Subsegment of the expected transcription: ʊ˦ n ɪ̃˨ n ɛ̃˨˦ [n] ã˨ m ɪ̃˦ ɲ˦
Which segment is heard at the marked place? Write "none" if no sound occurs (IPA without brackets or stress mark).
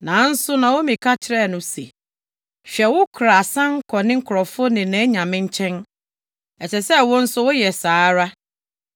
ɲ